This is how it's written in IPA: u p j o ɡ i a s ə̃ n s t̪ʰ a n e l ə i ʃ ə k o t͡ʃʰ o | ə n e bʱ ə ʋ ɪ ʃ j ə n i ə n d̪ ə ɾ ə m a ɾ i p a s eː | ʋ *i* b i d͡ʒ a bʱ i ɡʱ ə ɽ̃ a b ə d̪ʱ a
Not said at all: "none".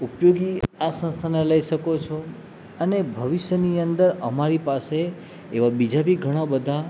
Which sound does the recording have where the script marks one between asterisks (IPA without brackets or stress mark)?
a